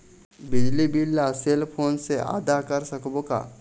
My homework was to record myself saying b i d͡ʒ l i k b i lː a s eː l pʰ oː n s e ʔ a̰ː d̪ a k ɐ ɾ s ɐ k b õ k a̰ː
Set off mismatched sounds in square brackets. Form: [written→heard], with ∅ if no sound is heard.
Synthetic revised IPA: b [i→ɪ] d͡ʒ l i [k→∅] b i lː a s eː l pʰ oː n s e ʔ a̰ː d̪ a k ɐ ɾ s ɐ k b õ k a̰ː